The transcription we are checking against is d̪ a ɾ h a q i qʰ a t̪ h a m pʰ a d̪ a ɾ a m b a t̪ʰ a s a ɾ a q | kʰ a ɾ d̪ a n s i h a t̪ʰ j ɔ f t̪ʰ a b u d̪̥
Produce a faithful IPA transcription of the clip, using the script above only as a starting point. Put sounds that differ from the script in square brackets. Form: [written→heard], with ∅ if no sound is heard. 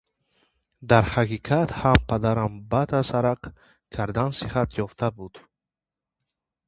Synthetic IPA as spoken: d̪ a ɾ h a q i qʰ a t̪ h a m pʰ a d̪ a ɾ a m b a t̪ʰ a s a ɾ a q | kʰ a ɾ d̪ a n s i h a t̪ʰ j ɔ f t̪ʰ a b u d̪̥

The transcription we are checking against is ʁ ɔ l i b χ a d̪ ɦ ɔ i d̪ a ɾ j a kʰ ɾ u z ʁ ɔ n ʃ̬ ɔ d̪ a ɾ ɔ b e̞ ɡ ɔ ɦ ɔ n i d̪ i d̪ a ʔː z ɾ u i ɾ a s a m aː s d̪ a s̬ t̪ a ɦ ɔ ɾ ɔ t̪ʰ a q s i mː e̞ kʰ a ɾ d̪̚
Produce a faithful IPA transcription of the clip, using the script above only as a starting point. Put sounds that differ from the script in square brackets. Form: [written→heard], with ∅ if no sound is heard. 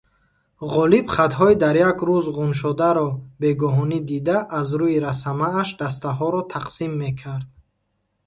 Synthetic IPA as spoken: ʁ ɔ l i b χ a [d̪→t̪] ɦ ɔ i d̪ a ɾ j a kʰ ɾ u z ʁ [ɔ→u] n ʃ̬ ɔ d̪ a ɾ ɔ b e̞ ɡ ɔ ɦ ɔ n i d̪ i d̪ a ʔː z ɾ u i ɾ a s a m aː [s→ʃ] d̪ a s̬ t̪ a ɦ ɔ ɾ ɔ t̪ʰ a q s i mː e̞ kʰ a ɾ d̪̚

